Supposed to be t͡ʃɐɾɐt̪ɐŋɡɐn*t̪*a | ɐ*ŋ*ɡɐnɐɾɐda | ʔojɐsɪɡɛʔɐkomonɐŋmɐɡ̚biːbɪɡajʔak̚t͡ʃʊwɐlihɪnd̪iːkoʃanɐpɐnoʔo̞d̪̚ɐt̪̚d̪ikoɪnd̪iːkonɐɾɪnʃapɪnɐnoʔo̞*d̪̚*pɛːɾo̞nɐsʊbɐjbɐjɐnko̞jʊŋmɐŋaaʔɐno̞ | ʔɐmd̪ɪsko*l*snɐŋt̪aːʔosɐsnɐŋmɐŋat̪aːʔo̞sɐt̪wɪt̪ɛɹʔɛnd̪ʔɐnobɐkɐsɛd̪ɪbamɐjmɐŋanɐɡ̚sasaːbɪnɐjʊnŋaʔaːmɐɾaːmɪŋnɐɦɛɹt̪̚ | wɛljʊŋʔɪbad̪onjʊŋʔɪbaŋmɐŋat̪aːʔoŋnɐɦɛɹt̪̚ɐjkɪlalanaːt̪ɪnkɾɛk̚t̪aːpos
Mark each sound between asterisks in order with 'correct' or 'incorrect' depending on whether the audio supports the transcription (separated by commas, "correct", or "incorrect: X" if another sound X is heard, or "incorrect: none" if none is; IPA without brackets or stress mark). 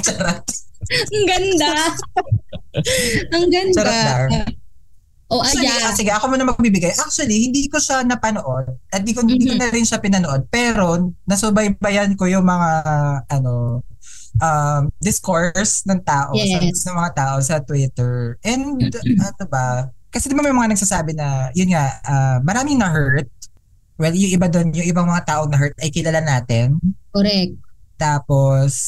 incorrect: d̪, correct, correct, incorrect: ɹ